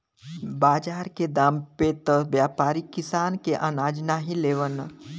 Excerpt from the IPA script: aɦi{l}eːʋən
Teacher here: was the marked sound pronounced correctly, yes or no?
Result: yes